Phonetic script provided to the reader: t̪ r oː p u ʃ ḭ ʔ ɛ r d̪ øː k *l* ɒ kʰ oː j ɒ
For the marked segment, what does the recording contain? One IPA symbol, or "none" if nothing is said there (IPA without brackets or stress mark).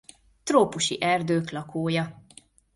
l